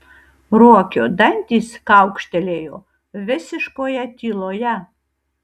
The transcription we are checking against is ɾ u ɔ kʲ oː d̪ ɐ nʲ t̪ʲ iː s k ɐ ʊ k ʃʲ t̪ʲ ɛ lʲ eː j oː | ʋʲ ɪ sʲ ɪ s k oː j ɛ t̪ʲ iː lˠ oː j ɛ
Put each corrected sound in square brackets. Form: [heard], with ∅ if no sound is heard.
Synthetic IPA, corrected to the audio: ɾ u ɔ kʲ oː d̪ ɐ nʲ t̪ʲ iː s k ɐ ʊ k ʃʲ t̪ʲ ɛ lʲ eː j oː | ʋʲ ɪ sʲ ɪ [ʃ] k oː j ɛ t̪ʲ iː lˠ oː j ɛ